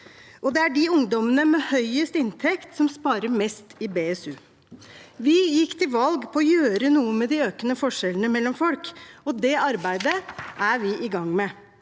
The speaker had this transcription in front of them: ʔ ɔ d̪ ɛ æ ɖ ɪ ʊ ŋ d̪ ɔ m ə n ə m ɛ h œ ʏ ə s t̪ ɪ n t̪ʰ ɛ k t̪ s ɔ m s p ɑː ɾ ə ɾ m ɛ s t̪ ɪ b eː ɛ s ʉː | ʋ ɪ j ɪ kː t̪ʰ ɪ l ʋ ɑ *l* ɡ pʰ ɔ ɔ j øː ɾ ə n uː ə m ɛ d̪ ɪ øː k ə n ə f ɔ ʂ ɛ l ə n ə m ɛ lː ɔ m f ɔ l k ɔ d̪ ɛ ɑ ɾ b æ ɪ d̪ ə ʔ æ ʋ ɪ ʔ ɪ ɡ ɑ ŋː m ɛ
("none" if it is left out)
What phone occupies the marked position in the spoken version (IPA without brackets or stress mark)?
l